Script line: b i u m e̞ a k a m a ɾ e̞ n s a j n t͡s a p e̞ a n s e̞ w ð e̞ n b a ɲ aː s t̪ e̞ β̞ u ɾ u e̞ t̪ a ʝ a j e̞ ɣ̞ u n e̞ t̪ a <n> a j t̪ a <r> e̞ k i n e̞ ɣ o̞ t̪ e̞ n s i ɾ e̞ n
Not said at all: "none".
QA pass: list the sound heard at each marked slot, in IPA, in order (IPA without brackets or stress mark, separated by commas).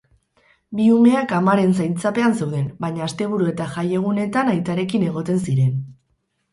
n, ɾ